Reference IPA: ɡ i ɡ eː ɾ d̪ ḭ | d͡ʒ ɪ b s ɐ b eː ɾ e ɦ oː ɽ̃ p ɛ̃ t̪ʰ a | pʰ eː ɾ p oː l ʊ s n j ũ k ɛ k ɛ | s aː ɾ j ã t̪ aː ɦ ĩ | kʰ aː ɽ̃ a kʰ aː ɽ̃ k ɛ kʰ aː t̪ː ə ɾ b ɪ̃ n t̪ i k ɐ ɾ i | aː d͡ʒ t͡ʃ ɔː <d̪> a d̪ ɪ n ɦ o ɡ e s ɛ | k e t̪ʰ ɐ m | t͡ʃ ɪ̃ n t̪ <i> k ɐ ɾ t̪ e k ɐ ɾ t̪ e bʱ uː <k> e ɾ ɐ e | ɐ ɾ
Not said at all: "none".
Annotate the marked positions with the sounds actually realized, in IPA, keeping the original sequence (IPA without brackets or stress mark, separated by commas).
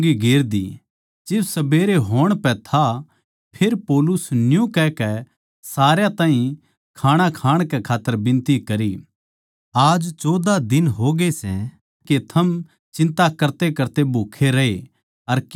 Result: d̪, a, kʰ